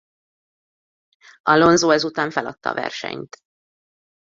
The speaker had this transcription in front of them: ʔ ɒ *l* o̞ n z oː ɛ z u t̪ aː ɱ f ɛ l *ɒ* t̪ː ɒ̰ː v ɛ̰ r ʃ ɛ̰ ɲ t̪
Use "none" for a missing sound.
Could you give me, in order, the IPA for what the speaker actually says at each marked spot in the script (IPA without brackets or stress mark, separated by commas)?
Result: l, ɒ